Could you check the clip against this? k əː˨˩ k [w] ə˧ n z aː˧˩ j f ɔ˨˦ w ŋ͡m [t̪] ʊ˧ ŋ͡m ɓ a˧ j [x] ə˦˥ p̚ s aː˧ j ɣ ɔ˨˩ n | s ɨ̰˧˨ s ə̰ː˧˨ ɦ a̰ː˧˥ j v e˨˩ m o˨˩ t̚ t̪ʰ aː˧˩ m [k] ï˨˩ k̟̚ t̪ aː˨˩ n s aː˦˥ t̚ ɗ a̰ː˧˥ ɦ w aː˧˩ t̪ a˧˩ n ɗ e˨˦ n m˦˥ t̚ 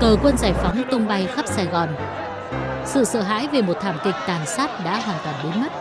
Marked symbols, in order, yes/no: yes, yes, yes, yes

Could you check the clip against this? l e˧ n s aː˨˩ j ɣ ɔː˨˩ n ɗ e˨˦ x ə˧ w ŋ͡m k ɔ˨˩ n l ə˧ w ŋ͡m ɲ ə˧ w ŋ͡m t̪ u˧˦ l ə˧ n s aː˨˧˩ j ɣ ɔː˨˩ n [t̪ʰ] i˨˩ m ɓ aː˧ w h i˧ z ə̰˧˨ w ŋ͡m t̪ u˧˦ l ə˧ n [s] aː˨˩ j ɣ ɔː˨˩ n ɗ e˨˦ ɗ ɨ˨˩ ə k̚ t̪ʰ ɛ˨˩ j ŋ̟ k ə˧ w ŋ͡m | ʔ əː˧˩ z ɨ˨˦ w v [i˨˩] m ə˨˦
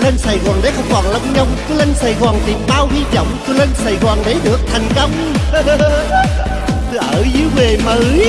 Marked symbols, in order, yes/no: no, yes, no

